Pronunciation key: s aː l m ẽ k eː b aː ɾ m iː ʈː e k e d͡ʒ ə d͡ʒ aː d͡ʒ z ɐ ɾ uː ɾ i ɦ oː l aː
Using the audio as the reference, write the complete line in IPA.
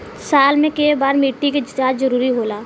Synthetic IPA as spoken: s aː l m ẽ k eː b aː ɾ m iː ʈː i k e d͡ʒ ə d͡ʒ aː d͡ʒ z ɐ ɾ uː ɾ i ɦ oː l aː